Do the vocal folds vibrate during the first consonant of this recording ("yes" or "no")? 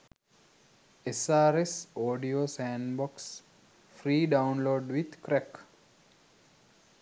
no